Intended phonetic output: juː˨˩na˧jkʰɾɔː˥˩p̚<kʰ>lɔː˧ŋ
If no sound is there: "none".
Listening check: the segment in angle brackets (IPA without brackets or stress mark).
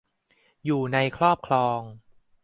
kʰ